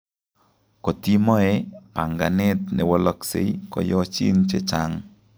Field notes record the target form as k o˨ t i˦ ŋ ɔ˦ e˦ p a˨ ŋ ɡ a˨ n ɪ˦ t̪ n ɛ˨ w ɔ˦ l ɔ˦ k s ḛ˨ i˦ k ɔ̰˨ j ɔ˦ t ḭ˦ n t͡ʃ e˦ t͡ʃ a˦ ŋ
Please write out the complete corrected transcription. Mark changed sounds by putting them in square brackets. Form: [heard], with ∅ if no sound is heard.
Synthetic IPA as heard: k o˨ t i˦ [m] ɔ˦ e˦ p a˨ ŋ ɡ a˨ n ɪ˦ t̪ n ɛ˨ w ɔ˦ l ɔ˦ k s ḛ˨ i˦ k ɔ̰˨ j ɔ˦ [t͡ʃ] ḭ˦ n t͡ʃ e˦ t͡ʃ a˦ ŋ